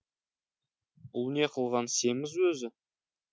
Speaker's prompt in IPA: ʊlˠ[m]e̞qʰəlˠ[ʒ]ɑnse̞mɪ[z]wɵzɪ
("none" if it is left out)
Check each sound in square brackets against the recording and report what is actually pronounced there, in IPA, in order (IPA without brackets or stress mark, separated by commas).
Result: n, ʁ, z